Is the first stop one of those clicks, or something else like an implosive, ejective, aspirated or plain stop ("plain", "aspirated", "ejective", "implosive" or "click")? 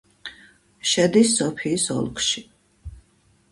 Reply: plain